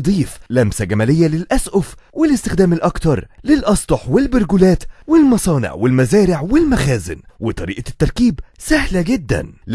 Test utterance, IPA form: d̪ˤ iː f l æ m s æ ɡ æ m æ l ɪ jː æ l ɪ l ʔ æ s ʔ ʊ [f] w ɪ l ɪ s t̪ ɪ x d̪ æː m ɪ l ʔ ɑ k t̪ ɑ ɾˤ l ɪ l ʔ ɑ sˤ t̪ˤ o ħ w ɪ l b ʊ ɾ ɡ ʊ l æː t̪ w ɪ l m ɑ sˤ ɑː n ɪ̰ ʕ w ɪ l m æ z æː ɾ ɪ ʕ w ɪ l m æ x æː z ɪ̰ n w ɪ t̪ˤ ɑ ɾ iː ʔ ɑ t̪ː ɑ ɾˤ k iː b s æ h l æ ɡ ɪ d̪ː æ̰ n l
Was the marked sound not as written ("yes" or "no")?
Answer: no